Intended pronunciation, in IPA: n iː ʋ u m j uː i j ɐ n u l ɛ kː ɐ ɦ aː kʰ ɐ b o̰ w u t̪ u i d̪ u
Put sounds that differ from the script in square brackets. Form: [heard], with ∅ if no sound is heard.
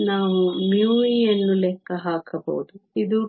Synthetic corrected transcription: n [aː] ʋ u m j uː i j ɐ [nː] u l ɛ kː ɐ ɦ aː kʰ ɐ b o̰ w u [d̪] u i d̪ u